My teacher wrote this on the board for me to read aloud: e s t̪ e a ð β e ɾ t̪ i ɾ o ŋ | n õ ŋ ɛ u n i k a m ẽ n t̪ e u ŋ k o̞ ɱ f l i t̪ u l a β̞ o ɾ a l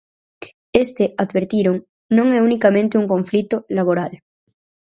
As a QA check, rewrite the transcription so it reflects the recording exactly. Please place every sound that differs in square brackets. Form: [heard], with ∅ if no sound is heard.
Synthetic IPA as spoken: e s t̪ e a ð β e ɾ t̪ i ɾ o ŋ | n õ ŋ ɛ u n i k a m ẽ n t̪ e u ŋ k o̞ ɱ f l i t̪ [o] l a β̞ o ɾ a l